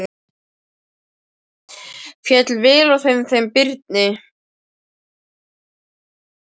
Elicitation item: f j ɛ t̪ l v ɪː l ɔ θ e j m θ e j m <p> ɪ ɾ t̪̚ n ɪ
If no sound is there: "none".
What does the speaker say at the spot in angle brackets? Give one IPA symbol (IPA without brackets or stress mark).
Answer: p